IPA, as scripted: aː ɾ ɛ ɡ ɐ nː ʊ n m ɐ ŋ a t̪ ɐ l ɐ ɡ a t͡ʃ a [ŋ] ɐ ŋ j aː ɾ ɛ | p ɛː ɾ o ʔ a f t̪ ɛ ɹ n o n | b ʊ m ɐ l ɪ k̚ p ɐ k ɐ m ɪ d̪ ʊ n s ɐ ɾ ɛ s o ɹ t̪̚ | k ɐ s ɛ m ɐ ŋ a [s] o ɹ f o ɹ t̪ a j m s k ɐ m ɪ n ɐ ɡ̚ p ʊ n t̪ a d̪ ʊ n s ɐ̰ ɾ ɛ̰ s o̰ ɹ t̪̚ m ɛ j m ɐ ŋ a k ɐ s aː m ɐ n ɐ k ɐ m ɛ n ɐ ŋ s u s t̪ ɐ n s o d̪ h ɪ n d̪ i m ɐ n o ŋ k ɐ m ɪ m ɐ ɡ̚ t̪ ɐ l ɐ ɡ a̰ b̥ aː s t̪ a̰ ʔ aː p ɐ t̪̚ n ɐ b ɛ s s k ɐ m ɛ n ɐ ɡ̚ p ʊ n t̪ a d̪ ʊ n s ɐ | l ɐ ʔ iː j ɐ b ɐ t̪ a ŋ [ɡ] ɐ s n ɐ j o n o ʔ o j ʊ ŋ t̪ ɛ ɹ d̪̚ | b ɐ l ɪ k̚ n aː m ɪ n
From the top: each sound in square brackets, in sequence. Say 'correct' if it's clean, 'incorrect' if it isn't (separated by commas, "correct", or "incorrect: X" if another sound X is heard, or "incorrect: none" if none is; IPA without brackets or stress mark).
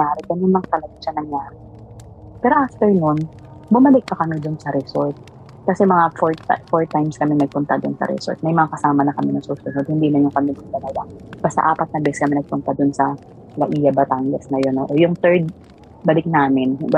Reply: incorrect: n, incorrect: f, correct